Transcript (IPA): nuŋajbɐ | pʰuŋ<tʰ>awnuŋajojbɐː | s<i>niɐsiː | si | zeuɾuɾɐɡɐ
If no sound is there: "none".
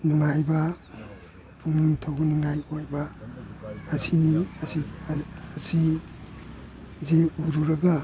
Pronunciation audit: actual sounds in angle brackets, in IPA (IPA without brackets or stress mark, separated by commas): tʰ, i